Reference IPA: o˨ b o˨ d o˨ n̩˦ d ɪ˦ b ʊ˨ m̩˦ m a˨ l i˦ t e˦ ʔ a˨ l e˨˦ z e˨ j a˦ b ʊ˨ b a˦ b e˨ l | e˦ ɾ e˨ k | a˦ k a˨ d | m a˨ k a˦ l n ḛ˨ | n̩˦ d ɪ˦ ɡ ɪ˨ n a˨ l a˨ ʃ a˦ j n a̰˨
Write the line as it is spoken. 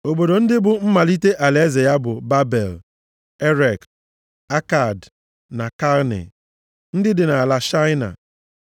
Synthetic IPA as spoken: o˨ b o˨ d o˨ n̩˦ d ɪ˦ b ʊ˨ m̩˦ m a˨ l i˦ t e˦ ʔ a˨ l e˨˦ z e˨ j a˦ b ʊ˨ b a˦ b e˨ l | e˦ ɾ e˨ k | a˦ k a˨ d | n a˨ k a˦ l n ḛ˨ | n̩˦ d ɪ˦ d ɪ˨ n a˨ l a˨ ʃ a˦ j n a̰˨